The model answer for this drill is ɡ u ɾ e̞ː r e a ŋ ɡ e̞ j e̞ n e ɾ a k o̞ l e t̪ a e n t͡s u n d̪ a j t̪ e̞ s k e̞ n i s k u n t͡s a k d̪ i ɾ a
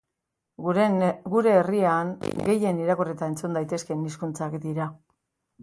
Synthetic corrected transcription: ɡ u ɾ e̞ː r i a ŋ ɡ e̞ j e̞ n i ɾ a k o̞ r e t̪ a e n t͡s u n d̪ a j t̪ e̞ s k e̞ n i s k u n t͡s a k d̪ i ɾ a